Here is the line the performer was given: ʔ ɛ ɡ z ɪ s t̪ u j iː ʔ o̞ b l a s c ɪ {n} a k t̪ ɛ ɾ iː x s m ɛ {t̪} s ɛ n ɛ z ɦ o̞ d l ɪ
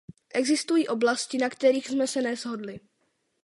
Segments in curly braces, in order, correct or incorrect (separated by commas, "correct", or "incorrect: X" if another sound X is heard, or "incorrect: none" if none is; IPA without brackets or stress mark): correct, incorrect: none